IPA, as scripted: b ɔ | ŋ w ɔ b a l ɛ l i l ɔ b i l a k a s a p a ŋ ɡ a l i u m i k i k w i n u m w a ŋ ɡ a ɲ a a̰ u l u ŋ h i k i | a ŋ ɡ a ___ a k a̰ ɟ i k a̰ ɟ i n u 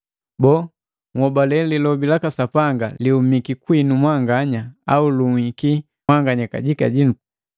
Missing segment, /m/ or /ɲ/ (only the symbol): ɲ